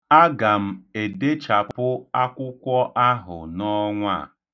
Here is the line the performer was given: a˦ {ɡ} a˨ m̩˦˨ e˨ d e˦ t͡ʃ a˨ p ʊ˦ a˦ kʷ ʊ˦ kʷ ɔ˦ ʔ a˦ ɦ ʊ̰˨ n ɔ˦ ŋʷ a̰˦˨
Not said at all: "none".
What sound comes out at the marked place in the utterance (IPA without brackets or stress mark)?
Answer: ɡ